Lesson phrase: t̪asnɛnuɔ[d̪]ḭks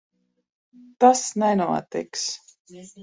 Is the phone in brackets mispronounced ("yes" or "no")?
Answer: yes